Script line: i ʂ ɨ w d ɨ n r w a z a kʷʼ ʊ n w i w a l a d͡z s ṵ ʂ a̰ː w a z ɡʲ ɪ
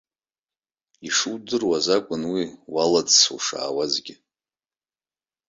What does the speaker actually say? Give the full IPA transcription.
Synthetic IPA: i ʂ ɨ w d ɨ r w a z a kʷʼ ʊ n w i w a l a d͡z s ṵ ʂ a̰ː w a z ɡʲ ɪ